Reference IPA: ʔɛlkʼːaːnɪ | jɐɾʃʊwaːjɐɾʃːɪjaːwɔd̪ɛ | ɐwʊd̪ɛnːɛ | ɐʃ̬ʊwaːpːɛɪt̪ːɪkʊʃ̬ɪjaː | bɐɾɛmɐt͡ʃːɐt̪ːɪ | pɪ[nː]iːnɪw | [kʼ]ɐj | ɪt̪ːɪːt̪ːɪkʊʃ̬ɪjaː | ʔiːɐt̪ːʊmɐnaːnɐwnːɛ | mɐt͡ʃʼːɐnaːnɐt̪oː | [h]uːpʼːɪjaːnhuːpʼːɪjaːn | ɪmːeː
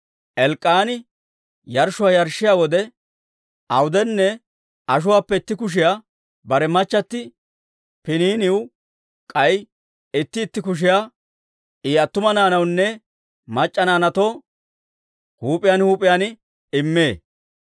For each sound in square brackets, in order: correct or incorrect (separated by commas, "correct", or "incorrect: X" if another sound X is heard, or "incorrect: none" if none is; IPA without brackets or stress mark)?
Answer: incorrect: n, correct, correct